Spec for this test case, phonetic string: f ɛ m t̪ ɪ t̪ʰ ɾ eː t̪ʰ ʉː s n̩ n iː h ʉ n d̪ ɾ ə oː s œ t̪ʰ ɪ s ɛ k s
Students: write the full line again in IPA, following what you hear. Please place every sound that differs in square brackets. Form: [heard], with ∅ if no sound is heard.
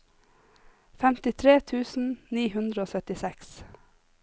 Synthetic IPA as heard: f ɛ m t̪ ɪ t̪ʰ ɾ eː t̪ʰ ʉː s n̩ n iː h ʉ n d̪ ɾ ə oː s œ [t̪] ɪ s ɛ k s